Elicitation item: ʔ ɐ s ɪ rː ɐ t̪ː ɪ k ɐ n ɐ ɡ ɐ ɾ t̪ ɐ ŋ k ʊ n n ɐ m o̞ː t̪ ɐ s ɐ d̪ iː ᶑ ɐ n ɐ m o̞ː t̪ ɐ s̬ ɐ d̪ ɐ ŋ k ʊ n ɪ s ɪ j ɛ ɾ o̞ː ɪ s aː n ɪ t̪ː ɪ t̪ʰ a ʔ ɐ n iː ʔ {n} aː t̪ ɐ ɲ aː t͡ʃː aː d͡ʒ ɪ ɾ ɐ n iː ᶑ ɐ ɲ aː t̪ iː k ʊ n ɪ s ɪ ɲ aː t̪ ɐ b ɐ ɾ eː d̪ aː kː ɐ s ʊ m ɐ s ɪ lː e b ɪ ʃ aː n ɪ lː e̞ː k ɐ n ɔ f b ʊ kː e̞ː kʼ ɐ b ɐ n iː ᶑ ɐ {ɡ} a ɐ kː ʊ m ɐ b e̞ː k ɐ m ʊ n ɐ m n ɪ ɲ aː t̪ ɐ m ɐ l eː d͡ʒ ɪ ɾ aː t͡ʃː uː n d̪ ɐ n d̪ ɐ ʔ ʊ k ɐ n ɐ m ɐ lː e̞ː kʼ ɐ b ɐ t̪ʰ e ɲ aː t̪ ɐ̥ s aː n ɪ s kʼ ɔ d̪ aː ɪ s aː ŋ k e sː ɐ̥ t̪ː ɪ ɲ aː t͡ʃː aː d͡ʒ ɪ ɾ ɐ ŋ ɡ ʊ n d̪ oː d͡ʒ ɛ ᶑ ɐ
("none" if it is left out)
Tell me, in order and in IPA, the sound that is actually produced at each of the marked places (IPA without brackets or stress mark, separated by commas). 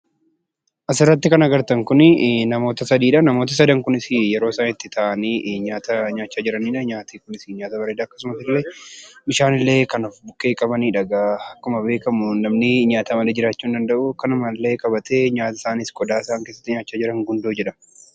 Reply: ɲ, ɡ